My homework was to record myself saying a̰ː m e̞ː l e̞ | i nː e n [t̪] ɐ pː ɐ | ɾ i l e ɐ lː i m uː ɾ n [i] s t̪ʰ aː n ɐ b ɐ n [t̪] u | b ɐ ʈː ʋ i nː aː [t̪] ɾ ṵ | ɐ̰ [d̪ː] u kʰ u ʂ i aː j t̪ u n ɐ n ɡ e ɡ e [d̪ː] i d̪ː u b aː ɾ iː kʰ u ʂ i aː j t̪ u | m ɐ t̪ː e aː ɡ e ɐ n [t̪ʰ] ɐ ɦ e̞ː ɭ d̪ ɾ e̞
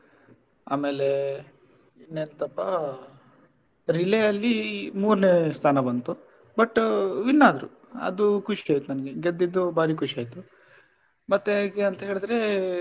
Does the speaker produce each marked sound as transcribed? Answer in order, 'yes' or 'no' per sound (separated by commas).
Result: yes, no, yes, no, no, yes, no